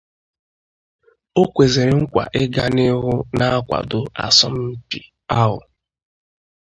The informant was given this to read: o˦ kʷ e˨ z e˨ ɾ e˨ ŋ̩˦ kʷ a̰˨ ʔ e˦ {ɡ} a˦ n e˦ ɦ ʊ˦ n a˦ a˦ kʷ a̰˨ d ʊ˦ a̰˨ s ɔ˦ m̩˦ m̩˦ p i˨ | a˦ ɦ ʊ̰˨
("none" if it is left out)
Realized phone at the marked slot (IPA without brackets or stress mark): ɡ